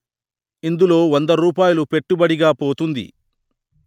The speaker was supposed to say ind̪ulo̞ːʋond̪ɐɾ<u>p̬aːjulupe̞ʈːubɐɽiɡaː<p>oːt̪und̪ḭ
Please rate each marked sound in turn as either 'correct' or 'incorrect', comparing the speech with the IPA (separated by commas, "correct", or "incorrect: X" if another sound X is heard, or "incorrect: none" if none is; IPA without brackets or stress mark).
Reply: incorrect: uː, correct